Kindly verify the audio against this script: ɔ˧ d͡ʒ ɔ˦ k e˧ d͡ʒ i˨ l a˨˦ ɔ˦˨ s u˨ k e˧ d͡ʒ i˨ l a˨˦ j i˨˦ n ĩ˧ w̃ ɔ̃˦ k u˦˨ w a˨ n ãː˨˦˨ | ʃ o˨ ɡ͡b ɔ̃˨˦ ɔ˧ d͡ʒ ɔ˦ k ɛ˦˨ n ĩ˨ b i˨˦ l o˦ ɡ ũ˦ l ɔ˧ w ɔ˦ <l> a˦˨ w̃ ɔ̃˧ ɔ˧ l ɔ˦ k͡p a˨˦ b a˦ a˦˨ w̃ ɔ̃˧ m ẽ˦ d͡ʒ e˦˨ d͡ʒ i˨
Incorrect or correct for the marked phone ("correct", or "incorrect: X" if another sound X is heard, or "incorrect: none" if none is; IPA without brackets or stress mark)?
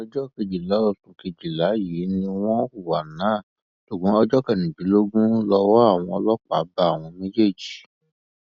incorrect: none